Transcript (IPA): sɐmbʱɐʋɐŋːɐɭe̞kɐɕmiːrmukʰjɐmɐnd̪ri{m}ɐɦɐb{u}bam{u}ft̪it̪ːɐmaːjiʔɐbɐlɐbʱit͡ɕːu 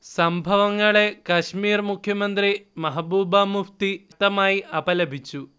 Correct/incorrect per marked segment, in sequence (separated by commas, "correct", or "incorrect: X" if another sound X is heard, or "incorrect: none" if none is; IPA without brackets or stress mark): correct, incorrect: uː, correct